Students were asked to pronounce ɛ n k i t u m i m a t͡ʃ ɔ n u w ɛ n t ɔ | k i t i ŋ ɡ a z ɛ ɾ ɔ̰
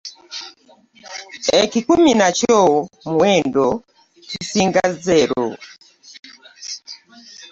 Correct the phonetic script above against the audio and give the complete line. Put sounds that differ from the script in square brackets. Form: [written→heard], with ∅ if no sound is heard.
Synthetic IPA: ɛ [n→∅] k i [t→k] u m i [m→n] a t͡ʃ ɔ [n→m] u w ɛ n [t→d] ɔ | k i [t→s] i ŋ ɡ a z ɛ ɾ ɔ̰